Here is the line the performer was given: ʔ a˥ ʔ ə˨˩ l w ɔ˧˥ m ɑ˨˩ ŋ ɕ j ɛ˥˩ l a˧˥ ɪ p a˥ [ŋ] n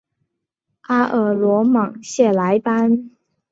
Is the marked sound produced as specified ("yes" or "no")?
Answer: no